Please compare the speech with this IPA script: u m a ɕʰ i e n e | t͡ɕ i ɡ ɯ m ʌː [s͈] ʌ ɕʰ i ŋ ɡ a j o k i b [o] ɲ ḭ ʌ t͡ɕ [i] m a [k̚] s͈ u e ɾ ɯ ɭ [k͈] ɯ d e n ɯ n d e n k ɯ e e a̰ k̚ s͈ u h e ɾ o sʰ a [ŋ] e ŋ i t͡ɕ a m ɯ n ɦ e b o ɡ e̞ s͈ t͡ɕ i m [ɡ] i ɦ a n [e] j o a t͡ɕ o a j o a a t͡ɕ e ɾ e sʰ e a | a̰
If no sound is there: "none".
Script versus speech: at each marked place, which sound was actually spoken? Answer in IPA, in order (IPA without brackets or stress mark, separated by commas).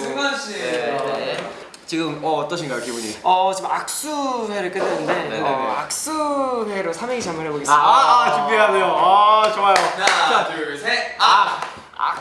t͈, u, i, k̚, k͈, m, b, e